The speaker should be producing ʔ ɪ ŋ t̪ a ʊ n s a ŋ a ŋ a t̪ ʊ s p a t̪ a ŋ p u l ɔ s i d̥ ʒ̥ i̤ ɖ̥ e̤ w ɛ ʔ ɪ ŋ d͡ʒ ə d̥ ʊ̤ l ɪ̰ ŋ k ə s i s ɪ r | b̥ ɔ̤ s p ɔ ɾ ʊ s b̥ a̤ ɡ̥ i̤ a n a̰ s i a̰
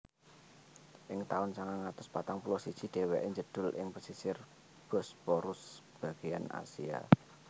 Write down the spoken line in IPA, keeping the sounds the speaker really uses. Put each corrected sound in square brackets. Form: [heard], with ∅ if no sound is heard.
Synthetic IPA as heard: ʔ ɪ ŋ t̪ a ʊ n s a ŋ a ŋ a t̪ ʊ s p a t̪ a ŋ p u l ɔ s i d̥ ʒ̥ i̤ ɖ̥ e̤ w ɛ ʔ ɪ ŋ d͡ʒ ə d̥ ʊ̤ l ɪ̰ ŋ [p] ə s i s ɪ r | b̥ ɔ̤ s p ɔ ɾ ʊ s b̥ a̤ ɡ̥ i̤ a n a̰ s i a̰